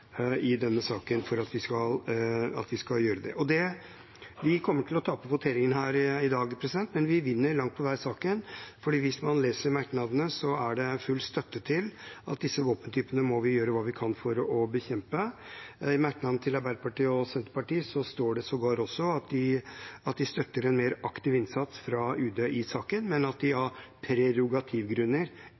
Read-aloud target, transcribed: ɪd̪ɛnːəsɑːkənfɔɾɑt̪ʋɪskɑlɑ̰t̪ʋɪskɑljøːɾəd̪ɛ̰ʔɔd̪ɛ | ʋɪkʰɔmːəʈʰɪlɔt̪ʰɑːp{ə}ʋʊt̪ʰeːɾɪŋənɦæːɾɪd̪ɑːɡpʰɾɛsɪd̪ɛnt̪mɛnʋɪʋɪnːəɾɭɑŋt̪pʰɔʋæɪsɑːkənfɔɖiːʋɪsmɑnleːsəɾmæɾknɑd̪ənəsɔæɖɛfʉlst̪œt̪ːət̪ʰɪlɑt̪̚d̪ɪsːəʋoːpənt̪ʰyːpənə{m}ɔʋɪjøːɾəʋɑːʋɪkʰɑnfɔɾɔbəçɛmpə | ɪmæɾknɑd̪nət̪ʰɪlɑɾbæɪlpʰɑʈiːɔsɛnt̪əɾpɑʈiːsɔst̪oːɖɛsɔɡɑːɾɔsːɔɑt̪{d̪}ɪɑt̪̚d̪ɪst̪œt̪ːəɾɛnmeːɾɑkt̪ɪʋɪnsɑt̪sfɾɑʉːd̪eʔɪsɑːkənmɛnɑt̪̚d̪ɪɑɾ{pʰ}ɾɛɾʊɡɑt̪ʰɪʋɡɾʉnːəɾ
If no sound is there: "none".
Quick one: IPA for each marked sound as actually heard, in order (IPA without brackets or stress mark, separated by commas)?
ə, m, d̪, pʰ